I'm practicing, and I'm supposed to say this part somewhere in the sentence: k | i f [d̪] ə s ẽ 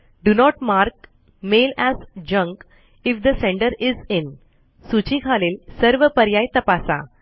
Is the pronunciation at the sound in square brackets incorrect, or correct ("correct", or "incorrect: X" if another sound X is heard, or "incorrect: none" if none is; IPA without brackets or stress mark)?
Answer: correct